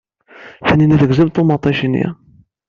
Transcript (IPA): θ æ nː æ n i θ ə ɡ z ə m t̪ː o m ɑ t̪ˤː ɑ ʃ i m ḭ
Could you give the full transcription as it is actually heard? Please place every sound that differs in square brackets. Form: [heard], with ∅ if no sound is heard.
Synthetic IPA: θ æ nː [i] n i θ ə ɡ z ə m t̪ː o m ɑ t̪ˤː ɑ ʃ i [n] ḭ